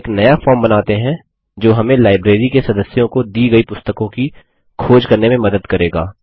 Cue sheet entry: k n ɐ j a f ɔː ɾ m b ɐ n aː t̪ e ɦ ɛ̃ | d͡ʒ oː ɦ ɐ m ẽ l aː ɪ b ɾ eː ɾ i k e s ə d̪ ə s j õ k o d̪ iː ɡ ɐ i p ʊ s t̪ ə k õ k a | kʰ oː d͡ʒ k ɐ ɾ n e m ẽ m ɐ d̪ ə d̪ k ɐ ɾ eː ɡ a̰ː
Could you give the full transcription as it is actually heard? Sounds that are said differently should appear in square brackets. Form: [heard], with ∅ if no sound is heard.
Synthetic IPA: k n ɐ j a f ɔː ɾ m b ɐ n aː t̪ e ɦ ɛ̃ | d͡ʒ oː ɦ ɐ m ẽ l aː ɪ b ɾ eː ɾ i k e s [ɐ] d̪ ə s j õ k o d̪ iː ɡ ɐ i p ʊ s t̪ ə k õ k [i] | kʰ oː d͡ʒ k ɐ ɾ n e m ẽ m ɐ d̪ ə d̪ k ɐ ɾ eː ɡ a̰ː

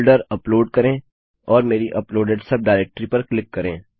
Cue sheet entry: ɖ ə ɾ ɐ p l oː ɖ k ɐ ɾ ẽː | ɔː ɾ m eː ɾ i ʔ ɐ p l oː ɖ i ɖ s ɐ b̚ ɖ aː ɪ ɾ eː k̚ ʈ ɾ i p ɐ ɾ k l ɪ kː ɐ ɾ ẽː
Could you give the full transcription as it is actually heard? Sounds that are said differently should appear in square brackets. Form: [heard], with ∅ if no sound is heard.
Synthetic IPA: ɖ ə ɾ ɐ p l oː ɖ k ɐ ɾ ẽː | ɔː ɾ m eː ɾ i ʔ ɐ p l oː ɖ [e] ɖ s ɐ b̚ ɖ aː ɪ ɾ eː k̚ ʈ ɾ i p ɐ ɾ k l ɪ kː ɐ ɾ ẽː

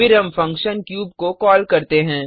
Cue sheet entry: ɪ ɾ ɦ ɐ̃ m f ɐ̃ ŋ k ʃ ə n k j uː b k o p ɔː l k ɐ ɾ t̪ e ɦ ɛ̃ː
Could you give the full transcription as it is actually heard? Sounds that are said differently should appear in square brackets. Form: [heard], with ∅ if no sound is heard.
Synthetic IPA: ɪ ɾ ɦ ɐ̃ m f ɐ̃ ŋ k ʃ ə n k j uː b k o [k] ɔː l k ɐ ɾ t̪ e ɦ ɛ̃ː

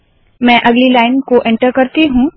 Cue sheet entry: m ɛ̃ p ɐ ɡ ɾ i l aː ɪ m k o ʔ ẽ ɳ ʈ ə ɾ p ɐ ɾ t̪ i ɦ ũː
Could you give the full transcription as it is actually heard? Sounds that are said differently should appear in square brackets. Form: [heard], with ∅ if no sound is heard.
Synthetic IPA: m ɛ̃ [ʔ] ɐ ɡ [l] i l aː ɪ [n] k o ʔ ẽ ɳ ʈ ə ɾ [k] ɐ ɾ t̪ i ɦ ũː

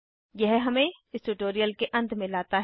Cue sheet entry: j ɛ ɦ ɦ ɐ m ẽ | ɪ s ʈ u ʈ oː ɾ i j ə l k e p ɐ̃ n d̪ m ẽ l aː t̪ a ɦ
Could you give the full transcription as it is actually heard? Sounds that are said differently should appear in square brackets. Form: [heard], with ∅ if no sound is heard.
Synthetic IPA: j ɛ ɦ ɦ ɐ m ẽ | ɪ s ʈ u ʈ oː ɾ i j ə l k e [ʔ] ɐ̃ n d̪ m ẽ l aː t̪ a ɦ

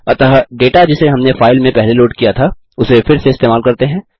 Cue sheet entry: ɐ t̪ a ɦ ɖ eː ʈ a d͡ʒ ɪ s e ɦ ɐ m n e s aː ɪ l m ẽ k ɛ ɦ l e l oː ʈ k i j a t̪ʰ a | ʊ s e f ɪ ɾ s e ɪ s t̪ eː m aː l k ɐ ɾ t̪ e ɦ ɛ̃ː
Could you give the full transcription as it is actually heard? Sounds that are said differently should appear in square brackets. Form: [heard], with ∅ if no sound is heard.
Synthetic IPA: ɐ t̪ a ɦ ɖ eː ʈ a d͡ʒ ɪ s e ɦ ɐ m n e [f] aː ɪ l m ẽ [p] ɛ ɦ l e l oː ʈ k i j a t̪ʰ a | ʊ s e f ɪ ɾ s e ɪ s t̪ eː m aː l k ɐ ɾ t̪ e ɦ ɛ̃ː

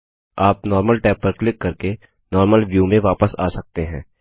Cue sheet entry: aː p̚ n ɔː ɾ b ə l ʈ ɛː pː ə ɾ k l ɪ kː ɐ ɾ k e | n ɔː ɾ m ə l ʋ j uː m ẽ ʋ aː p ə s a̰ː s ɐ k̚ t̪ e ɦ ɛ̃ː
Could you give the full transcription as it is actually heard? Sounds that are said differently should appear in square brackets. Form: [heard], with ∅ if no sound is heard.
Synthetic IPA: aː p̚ n ɔː ɾ [m] ə l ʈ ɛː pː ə ɾ k l ɪ kː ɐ ɾ k e | n ɔː ɾ m ə l ʋ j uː m ẽ ʋ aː p ə s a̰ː s ɐ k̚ t̪ e ɦ ɛ̃ː

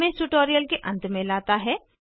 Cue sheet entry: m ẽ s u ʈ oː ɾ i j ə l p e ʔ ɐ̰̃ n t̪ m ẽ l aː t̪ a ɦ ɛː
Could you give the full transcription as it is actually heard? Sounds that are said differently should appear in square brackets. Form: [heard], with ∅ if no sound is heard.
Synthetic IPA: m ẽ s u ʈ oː ɾ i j ə l [k] e ʔ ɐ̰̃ n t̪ m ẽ l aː t̪ a ɦ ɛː

